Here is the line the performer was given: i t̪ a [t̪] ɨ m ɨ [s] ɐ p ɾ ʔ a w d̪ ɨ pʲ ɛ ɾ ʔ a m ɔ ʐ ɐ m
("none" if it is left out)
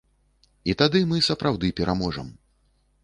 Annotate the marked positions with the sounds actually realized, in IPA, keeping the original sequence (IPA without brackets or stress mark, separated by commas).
d̪, s